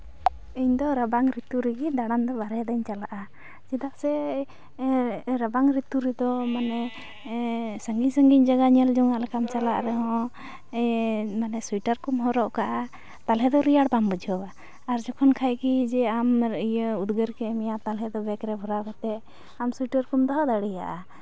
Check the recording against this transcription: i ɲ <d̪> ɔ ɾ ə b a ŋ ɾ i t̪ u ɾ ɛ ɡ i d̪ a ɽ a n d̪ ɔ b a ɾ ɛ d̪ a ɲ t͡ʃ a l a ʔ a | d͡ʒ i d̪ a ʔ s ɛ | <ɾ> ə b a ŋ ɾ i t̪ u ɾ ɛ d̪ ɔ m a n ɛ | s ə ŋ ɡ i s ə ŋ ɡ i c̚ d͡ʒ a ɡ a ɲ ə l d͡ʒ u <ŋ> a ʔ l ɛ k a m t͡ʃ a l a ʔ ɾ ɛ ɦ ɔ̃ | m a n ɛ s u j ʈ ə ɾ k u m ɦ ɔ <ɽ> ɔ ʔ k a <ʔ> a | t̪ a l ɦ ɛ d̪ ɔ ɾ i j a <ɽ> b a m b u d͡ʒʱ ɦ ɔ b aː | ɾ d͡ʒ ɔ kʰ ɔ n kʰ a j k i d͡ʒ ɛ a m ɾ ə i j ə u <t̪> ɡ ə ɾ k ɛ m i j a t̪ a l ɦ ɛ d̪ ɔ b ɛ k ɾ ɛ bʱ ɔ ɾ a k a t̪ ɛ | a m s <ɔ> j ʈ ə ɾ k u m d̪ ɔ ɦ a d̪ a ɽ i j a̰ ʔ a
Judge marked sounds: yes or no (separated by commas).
yes, yes, yes, no, yes, yes, no, no